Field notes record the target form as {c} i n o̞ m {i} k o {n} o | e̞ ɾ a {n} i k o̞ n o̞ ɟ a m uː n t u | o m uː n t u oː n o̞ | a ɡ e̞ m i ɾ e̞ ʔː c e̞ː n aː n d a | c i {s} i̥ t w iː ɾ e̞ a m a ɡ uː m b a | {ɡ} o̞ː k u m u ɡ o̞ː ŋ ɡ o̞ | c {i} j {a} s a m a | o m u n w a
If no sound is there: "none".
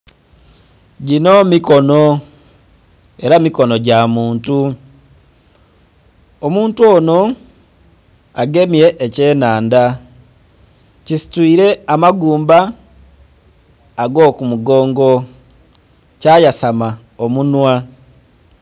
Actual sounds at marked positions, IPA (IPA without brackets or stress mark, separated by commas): ɟ, i, n, m, s, ɡ, a, a